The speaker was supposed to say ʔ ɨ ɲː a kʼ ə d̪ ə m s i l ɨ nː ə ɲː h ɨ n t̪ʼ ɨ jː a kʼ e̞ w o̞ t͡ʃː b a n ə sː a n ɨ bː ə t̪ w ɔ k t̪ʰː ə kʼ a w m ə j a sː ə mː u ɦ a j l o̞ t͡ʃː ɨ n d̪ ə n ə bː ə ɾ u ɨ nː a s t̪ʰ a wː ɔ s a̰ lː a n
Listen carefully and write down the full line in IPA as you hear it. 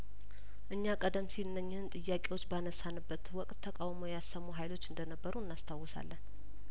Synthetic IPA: ʔ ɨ ɲː a kʼ ə d̪ ə m s i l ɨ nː ə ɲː h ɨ n t̪ʼ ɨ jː a kʼ e̞ w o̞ t͡ʃː b a n ə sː a n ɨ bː ə t̪ w ɔ kʼ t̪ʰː ə kʼ a w m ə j a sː ə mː u ɦ a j l o̞ t͡ʃː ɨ n d̪ ə n ə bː ə ɾ u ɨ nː a s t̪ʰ a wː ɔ s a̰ lː ə n